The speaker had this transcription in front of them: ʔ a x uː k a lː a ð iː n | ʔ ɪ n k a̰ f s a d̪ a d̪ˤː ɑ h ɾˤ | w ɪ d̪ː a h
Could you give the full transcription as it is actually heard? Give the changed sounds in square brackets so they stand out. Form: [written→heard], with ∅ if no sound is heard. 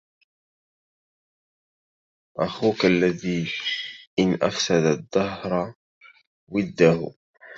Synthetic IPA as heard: ʔ a x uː k a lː a ð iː [n→∅] | ʔ ɪ n [k→ʔ] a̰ f s a d̪ a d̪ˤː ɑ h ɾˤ | w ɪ d̪ː a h